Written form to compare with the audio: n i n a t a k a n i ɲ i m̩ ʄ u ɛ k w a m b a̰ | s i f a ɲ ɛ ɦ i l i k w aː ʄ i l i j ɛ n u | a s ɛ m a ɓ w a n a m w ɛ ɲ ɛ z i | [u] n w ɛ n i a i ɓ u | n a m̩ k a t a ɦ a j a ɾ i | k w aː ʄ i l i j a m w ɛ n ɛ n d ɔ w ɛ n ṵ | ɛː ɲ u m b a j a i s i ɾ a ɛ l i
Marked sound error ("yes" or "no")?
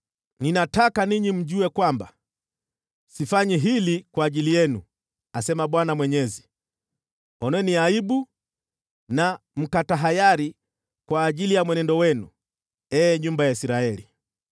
yes